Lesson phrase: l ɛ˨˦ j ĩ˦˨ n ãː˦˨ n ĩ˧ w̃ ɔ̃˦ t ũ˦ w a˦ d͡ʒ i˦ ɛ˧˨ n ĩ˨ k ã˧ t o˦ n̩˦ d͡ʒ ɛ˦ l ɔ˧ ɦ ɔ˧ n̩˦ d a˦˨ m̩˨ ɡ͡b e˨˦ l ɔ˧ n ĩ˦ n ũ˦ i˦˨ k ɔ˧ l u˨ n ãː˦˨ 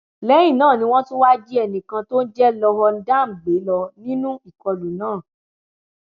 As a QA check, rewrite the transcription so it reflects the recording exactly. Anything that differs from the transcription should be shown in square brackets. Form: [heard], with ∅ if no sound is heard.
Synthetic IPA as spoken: l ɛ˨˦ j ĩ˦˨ n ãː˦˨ n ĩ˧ w̃ ɔ̃˦ t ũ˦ w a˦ d͡ʒ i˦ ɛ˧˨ n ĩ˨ k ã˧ t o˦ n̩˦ d͡ʒ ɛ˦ l ɔ˧ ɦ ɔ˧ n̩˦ d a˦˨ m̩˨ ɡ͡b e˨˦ l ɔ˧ n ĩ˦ n ũ˦ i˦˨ k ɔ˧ l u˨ n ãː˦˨